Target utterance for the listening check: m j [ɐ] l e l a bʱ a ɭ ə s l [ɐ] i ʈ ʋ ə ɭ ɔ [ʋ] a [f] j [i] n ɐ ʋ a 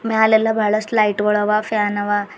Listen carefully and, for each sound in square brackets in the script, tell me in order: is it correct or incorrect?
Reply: incorrect, incorrect, correct, correct, incorrect

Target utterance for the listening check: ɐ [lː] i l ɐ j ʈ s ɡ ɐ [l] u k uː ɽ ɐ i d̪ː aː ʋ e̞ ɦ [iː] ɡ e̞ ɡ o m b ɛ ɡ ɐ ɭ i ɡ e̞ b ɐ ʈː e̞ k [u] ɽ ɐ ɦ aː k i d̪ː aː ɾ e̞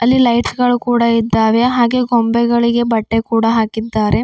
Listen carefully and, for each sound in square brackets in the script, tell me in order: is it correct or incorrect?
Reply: correct, incorrect, incorrect, incorrect

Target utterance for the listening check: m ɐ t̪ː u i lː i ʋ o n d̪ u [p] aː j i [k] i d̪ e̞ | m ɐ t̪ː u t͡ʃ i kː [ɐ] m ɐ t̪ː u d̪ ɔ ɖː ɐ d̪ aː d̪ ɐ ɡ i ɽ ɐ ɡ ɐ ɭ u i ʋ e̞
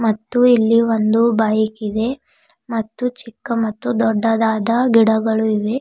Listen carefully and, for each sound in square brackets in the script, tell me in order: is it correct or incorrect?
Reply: incorrect, correct, correct

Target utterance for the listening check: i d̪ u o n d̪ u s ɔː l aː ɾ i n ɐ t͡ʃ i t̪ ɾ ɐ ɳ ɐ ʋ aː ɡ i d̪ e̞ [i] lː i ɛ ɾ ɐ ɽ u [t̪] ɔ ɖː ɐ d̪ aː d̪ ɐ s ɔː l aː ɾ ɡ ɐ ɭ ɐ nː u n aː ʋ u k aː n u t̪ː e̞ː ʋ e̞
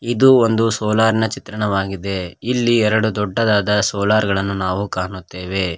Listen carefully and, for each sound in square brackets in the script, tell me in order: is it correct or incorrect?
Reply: correct, incorrect

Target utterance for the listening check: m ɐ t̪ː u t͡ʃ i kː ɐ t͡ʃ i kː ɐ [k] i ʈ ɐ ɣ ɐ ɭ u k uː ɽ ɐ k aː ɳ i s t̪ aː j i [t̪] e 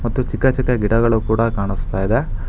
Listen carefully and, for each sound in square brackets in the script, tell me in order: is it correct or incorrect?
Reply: incorrect, incorrect

